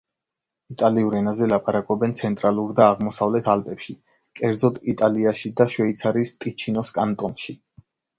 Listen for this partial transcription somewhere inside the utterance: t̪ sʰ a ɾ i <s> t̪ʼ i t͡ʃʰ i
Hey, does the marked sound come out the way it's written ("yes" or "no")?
yes